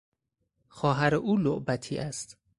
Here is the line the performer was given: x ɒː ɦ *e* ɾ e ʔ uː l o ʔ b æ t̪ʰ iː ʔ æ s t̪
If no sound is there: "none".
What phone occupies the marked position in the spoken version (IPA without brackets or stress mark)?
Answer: æ